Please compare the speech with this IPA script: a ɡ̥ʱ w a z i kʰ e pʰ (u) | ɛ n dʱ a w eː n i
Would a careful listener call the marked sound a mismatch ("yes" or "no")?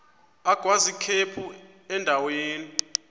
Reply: no